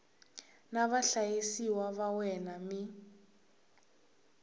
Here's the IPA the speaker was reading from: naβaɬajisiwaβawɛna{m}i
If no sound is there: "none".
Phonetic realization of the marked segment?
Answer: m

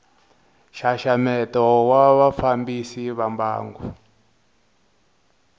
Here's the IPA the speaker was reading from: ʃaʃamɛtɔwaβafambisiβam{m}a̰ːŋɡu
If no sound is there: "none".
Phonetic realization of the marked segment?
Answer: b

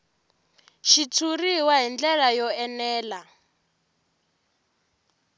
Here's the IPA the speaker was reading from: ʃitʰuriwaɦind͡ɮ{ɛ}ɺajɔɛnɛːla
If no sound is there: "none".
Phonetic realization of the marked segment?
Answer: ɛ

